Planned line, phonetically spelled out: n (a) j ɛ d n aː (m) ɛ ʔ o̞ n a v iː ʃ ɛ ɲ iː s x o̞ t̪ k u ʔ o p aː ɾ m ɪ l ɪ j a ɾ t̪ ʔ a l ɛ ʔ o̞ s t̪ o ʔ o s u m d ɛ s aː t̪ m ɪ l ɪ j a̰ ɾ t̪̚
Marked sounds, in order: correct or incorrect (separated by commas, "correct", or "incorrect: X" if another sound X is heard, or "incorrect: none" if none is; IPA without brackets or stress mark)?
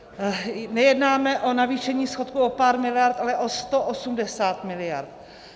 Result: incorrect: ɛ, correct